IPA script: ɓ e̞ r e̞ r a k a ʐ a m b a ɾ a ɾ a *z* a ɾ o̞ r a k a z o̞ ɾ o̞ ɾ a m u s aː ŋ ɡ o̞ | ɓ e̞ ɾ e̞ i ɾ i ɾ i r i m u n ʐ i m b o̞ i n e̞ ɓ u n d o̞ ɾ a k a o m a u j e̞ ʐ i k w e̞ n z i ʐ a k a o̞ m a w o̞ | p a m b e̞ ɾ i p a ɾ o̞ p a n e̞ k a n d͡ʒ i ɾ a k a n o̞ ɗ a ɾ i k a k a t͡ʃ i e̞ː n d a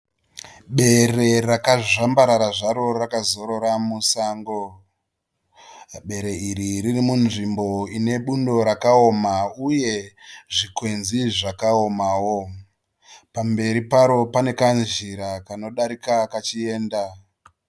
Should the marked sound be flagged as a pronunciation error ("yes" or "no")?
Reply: yes